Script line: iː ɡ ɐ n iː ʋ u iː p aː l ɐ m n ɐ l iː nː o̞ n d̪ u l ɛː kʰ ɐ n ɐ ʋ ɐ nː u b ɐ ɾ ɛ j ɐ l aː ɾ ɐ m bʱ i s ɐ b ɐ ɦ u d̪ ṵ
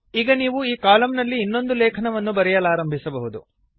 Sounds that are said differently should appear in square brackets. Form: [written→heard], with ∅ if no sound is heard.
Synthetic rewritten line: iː ɡ ɐ n iː ʋ u iː [p→k] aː l ɐ m n ɐ [l→lː] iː nː o̞ n d̪ u l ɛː kʰ ɐ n ɐ ʋ ɐ nː u b ɐ ɾ ɛ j ɐ l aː ɾ ɐ m bʱ i s ɐ b ɐ ɦ u d̪ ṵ

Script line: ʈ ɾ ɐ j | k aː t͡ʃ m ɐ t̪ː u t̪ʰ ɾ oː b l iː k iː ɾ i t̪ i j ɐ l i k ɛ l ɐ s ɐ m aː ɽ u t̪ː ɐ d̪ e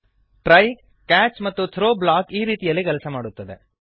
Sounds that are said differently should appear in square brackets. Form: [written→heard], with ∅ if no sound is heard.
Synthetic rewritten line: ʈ ɾ ɐ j | k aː t͡ʃ m ɐ t̪ː u t̪ʰ ɾ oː b l [iː→aː] k iː ɾ [i→iː] t̪ i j ɐ [l→lː] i k ɛ l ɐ s ɐ m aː ɽ u t̪ː ɐ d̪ e

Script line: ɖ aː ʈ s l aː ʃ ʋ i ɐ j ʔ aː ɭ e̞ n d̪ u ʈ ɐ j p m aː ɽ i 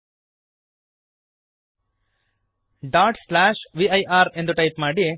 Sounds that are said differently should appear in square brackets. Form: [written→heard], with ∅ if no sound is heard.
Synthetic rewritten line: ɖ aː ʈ s l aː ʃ ʋ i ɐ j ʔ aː [ɭ→ɾ] e̞ n d̪ u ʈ ɐ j p m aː ɽ i

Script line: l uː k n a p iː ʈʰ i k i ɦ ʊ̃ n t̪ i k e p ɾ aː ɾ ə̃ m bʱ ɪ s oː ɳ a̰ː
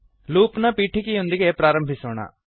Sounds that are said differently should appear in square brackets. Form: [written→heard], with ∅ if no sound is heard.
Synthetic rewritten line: l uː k n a p iː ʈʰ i k i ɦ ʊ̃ n [t̪→d̪] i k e p ɾ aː ɾ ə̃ m bʱ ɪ s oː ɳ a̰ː

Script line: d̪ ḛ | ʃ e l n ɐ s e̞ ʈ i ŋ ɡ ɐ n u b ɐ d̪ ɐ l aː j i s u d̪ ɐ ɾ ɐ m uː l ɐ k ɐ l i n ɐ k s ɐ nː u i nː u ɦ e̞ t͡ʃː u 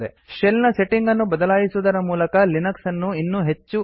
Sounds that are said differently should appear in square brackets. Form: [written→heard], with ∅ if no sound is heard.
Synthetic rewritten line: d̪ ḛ | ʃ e l n ɐ s e̞ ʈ i ŋ ɡ ɐ [n→nː] u b ɐ d̪ ɐ l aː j i s u d̪ ɐ ɾ ɐ m uː l ɐ k ɐ l i n ɐ k s ɐ nː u i nː u ɦ e̞ t͡ʃː u

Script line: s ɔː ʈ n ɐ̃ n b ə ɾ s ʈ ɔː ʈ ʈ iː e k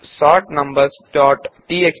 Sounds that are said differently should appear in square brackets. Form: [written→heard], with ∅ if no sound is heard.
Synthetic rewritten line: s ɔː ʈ n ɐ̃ [n→m] b ə ɾ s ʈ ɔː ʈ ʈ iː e k

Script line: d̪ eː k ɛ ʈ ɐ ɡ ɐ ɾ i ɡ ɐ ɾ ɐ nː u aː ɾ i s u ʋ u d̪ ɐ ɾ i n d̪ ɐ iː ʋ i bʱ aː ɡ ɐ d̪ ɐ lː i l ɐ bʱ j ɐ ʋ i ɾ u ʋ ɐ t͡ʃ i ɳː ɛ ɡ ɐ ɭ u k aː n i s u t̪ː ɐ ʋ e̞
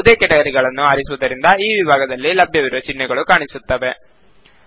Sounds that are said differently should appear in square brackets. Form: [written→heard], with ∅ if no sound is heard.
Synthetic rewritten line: d̪ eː k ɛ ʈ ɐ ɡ ɐ ɾ i ɡ ɐ [ɾ→ɭ] ɐ nː u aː ɾ i s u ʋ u d̪ ɐ ɾ i n d̪ ɐ iː ʋ i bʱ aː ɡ ɐ d̪ ɐ lː i l ɐ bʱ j ɐ ʋ i ɾ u ʋ ɐ t͡ʃ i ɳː ɛ ɡ ɐ ɭ u k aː [n→ɳ] i s u t̪ː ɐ ʋ e̞

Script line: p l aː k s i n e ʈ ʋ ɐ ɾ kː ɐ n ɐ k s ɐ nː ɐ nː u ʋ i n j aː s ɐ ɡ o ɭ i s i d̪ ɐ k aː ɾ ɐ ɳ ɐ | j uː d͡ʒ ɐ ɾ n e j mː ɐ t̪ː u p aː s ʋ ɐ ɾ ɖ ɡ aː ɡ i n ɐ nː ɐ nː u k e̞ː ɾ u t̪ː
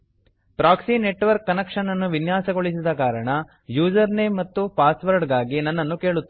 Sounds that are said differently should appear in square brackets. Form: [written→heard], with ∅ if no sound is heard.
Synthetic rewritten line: p [l→ɾ] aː k s i n e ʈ ʋ ɐ ɾ kː ɐ n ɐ k [s→ʂ] ɐ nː ɐ nː u ʋ i n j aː s ɐ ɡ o ɭ i s i d̪ ɐ k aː ɾ ɐ ɳ ɐ | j uː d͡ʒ ɐ ɾ n e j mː ɐ t̪ː u p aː s ʋ ɐ ɾ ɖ ɡ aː ɡ i n ɐ nː ɐ nː u k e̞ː [ɾ→ɭ] u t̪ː

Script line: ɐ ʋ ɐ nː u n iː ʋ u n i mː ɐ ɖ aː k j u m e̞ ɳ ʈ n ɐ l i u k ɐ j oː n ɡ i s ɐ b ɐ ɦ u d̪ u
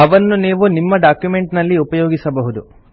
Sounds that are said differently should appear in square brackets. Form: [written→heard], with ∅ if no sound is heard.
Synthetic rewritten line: ɐ ʋ ɐ nː u n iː ʋ u n i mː ɐ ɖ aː k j u m e̞ ɳ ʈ n ɐ [l→lː] i u [k→p] ɐ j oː [n→∅] ɡ i s ɐ b ɐ ɦ u d̪ u

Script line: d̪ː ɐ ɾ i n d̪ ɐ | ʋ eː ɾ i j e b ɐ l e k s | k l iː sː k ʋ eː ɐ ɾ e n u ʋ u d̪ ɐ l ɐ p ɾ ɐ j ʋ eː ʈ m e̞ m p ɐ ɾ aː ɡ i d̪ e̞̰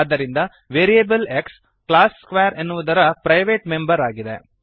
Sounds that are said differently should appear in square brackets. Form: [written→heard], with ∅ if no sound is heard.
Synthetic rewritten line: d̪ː ɐ ɾ i n d̪ ɐ | ʋ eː ɾ i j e b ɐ l e k s | k l [iː→aː] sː k ʋ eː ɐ ɾ e [n→nː] u ʋ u d̪ ɐ [l→ɾ] ɐ p ɾ ɐ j ʋ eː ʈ m e̞ m [p→b] ɐ ɾ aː ɡ i d̪ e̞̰

